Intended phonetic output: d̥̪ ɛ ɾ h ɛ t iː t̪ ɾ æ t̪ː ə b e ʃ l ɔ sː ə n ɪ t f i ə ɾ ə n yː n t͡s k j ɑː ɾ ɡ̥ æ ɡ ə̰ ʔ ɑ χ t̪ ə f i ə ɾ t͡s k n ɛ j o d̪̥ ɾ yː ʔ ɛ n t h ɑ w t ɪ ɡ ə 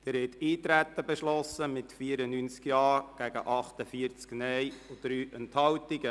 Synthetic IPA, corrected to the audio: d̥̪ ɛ ɾ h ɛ t iː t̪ ɾ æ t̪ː ə b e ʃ l ɔ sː ə m ɪ t f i ə ɾ ə n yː n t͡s k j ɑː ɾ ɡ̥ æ ɡ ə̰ ʔ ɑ χ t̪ ə f i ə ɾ t͡s k n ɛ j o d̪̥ ɾ yː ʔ ɛ n t h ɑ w t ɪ ɡ ə